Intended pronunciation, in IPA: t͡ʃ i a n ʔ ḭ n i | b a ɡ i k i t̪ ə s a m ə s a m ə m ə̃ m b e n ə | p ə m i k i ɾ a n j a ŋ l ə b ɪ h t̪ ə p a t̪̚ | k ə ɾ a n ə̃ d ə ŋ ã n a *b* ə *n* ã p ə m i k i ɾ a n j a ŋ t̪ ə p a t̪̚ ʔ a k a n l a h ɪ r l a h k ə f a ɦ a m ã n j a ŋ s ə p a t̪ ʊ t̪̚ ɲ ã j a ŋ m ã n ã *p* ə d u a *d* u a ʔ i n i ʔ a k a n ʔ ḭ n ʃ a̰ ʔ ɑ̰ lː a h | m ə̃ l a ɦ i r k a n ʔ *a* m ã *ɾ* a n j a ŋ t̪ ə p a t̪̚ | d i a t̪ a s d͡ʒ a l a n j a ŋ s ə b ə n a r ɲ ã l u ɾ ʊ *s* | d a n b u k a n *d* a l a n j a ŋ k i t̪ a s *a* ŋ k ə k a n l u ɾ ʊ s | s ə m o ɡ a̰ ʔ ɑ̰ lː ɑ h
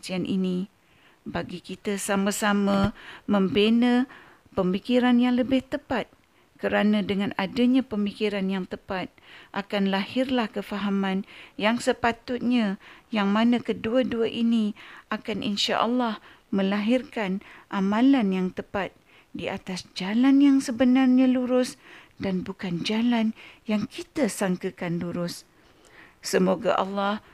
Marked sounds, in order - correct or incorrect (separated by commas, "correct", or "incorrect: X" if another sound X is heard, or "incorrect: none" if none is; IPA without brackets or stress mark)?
incorrect: d, incorrect: ɲ, incorrect: k, correct, correct, incorrect: l, correct, incorrect: d͡ʒ, correct